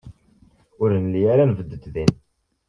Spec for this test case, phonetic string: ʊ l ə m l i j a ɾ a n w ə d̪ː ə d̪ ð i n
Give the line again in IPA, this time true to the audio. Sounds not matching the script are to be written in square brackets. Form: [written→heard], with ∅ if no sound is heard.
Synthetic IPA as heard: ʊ [l→ɾ] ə [m→n] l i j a ɾ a n [w→v] ə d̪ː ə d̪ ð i n

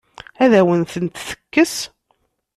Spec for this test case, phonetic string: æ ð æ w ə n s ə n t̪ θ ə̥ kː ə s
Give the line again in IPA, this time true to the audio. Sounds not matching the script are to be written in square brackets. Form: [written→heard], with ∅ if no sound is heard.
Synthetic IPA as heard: æ ð æ w ə n [s→θ] ə n t̪ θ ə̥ kː ə s

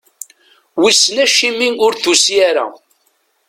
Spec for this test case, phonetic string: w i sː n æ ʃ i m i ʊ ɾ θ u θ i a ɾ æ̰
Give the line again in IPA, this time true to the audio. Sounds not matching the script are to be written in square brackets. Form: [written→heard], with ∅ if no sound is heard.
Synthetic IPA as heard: w i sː n æ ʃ i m i ʊ ɾ θ u [θ→s] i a ɾ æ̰

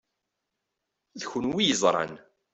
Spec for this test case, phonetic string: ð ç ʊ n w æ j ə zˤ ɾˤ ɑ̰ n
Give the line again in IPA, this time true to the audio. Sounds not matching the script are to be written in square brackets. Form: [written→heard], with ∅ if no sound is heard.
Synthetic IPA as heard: ð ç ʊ n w [æ→i] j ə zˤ ɾˤ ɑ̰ n

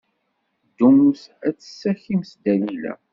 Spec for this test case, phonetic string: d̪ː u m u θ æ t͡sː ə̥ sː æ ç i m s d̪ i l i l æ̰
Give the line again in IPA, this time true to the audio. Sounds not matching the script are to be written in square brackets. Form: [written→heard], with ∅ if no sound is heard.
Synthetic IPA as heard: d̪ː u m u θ æ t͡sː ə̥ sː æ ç i m s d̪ [i→æ] l i l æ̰

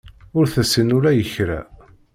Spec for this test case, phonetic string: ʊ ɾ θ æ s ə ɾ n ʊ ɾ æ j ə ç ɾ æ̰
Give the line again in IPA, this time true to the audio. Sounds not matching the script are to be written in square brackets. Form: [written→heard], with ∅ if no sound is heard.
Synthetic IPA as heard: ʊ ɾ θ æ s ə [ɾ→∅] n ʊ ɾ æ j ə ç ɾ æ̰

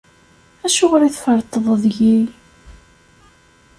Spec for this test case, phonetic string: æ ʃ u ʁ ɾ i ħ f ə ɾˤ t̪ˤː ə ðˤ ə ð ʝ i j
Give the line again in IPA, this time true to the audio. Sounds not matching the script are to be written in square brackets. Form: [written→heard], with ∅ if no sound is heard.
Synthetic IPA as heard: æ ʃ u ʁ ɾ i [ħ→θ] f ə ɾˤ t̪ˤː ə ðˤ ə ð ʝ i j

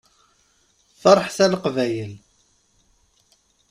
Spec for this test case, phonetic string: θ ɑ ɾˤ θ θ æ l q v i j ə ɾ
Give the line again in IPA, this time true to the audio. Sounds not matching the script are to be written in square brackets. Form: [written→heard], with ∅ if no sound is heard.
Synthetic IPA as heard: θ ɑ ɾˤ [θ→ħ] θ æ l q v [i→æ] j ə [ɾ→l]

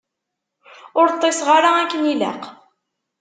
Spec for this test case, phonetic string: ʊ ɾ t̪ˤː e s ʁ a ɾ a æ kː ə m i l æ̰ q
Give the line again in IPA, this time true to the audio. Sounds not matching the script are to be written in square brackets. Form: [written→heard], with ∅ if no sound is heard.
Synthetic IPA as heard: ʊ ɾ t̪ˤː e s ʁ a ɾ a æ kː ə [m→n] i l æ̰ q

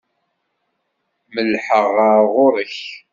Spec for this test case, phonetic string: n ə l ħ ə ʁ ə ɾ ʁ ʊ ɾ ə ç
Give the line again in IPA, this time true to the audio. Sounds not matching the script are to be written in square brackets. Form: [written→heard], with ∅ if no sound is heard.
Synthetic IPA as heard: [n→m] ə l ħ ə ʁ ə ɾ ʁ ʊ ɾ ə ç

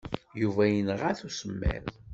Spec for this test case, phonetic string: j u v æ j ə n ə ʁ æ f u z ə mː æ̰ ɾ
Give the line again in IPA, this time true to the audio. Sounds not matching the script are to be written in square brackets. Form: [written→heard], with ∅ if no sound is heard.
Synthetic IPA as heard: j u v æ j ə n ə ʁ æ [f→θ] u [z→s] ə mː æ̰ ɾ

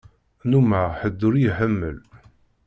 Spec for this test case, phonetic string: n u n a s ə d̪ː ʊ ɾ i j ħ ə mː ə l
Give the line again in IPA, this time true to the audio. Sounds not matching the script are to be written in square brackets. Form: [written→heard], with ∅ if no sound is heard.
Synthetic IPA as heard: n u [n→m] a [s→ħ] ə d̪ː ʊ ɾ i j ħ ə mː ə l

